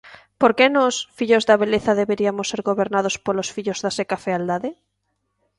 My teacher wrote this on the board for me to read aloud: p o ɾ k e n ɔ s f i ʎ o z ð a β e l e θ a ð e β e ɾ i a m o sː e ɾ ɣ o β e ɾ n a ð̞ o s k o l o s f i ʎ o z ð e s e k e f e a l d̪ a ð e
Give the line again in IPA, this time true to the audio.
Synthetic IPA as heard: p o ɾ k e n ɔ s f i ʎ o z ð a β e l e θ a ð e β e ɾ i a m o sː e ɾ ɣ o β e ɾ n a ð̞ o s p o l o s f i ʎ o z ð a s e k a f e a l d̪ a ð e